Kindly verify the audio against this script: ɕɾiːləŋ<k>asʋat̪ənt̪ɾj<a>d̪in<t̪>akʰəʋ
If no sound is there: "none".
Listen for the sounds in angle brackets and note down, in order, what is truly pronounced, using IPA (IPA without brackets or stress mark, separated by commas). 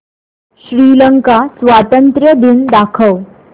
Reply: k, ə, d̪